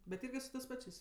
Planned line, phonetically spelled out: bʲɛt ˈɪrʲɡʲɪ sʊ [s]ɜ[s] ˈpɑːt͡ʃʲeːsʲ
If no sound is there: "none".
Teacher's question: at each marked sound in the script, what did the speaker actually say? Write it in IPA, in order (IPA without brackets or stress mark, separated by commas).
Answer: t, s